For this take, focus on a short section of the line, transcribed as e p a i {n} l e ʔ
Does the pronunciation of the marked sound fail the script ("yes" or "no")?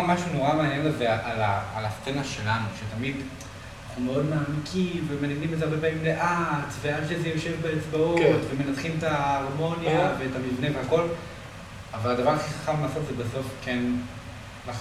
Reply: yes